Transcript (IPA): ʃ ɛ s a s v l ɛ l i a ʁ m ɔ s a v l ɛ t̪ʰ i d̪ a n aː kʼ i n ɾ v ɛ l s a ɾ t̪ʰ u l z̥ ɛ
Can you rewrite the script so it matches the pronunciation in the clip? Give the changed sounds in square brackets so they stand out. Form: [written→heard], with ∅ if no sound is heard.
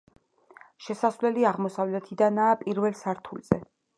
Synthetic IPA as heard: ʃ ɛ s a s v l ɛ l i a ʁ m ɔ s a v l ɛ t̪ʰ i d̪ a n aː [kʼ→pʼ] i [n→∅] ɾ v ɛ l s a ɾ t̪ʰ u l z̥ ɛ